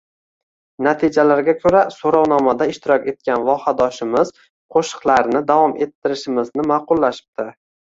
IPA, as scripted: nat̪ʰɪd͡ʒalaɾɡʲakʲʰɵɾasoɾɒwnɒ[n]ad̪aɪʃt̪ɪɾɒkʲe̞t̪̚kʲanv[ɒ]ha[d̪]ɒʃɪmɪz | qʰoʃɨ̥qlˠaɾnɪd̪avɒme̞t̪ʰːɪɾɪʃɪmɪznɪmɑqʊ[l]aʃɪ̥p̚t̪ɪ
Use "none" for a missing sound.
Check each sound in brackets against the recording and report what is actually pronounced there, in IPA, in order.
m, ɒ, d̪, lː

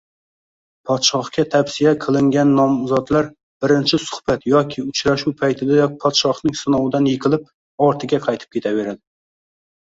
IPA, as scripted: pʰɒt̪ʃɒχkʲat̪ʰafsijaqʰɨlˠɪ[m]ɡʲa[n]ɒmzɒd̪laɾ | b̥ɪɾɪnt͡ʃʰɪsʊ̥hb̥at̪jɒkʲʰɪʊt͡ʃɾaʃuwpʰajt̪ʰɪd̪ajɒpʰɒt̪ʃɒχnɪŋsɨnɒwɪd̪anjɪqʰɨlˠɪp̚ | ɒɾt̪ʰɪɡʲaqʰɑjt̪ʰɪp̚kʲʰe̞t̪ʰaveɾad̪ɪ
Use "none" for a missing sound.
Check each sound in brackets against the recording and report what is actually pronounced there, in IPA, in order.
ŋ, nː

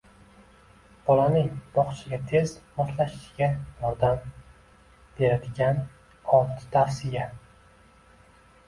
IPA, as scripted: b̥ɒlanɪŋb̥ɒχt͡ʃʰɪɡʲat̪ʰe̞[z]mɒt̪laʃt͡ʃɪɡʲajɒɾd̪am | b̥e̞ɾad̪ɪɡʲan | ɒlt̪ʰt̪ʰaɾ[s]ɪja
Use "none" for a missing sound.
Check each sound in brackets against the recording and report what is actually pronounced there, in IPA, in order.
z, s

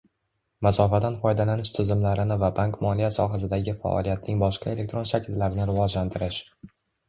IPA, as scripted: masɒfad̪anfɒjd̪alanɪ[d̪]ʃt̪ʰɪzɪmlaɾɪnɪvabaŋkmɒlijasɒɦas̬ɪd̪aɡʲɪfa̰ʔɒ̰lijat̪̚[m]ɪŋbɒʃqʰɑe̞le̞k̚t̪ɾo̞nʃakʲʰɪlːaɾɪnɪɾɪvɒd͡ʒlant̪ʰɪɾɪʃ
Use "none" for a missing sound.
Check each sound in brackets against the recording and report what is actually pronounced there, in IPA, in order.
none, n

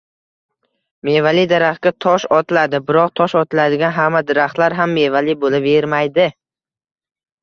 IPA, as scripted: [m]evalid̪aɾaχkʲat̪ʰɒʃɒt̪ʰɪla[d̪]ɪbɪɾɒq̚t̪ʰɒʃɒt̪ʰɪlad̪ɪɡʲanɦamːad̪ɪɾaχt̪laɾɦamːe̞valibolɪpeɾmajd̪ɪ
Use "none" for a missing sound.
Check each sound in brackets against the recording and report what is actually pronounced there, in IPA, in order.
m, d̪

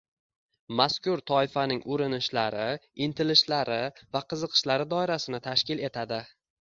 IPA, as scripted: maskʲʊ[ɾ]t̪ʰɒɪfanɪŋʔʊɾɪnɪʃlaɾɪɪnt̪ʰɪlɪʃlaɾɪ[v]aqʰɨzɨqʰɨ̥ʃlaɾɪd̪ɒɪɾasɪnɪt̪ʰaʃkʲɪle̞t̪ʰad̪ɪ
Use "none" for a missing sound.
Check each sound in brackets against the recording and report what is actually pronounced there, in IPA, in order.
ɾ, v

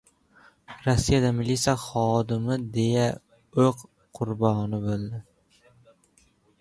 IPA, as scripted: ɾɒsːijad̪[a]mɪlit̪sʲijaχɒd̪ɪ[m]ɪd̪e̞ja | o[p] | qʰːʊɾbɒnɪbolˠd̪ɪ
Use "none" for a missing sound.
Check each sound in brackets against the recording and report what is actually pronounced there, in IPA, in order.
a, m, q

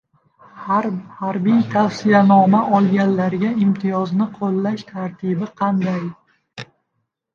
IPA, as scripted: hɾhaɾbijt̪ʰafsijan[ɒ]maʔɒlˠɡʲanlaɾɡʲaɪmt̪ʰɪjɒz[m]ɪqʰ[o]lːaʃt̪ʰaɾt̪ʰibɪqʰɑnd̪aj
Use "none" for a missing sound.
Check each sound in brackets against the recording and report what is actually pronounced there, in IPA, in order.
ɒ, n, o

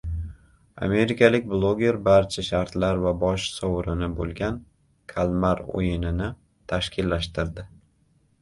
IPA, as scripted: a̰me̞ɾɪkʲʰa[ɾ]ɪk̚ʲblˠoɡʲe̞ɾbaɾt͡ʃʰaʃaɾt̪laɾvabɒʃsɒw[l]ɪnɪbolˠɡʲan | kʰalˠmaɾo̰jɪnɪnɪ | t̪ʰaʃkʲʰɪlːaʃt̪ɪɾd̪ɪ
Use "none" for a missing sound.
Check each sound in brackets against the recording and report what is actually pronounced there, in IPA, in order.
l, ɾ

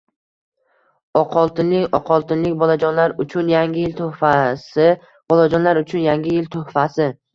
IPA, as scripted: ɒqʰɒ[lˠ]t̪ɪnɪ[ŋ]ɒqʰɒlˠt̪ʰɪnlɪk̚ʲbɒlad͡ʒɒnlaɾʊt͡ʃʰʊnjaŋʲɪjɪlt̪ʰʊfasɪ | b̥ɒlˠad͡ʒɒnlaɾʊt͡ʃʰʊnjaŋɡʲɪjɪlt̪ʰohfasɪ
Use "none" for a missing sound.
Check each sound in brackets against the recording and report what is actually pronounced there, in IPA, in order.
lˠ, ŋ

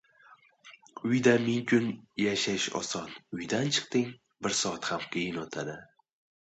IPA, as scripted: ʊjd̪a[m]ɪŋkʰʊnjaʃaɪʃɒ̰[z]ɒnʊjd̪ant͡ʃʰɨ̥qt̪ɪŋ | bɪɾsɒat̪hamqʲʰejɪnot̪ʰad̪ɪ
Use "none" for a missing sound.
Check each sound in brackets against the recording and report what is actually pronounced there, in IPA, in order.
m, s

